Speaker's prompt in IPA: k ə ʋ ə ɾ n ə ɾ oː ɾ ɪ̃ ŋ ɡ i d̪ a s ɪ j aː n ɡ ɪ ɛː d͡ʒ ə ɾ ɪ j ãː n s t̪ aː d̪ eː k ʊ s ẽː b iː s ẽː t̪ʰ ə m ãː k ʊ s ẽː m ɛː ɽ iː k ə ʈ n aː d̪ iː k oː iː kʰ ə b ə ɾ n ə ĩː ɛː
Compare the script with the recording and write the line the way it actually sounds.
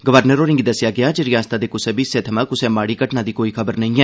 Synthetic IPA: ɡ ə ʋ ə ɾ n ə ɾ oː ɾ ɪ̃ ŋ ɡ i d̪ ə s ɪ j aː ɡ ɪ aː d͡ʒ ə ɾ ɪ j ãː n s t̪ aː d̪ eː k ʊ s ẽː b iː s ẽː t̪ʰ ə m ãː k ʊ s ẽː m aː ɽ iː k ə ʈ n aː d̪ iː k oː iː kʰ ə b ə ɾ n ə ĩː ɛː